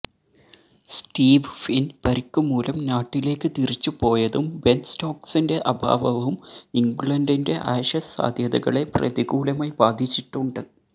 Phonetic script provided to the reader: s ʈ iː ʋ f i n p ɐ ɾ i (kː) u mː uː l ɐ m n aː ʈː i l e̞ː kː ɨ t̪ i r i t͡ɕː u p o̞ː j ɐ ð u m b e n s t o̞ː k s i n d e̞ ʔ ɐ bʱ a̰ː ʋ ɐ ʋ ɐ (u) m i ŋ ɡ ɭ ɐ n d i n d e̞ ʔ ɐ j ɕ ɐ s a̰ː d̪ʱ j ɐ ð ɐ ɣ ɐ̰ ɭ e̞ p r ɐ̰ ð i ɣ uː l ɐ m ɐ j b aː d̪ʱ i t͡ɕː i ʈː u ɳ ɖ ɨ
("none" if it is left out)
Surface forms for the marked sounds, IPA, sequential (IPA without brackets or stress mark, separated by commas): kː, u